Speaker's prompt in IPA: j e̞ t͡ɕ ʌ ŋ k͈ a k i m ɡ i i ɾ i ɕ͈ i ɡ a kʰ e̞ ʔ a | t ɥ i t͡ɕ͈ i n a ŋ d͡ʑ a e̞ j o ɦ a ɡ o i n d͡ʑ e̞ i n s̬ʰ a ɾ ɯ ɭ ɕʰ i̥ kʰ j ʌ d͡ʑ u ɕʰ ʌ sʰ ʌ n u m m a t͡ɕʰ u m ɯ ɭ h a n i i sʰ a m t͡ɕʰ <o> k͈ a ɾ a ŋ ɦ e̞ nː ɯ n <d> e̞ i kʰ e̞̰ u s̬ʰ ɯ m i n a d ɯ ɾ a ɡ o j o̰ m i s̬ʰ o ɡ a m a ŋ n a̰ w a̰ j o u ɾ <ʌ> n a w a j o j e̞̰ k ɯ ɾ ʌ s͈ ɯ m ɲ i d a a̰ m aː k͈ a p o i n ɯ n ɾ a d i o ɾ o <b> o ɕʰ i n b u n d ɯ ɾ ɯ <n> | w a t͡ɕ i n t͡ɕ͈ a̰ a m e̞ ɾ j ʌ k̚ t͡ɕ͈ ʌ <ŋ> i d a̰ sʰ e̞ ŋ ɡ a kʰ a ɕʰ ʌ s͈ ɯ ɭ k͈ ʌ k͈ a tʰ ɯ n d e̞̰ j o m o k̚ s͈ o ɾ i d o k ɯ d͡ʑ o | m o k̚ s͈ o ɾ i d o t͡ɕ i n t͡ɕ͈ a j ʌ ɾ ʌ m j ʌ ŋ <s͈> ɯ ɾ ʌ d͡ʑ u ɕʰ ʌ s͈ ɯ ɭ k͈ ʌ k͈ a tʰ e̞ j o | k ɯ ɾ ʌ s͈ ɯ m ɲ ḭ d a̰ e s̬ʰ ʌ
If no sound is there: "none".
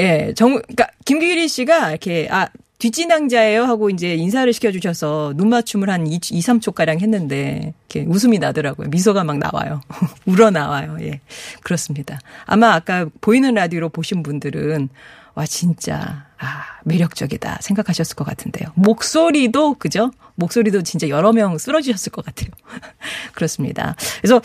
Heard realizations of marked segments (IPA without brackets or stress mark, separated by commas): o, d, ʌ, p, n, ɡ, s͈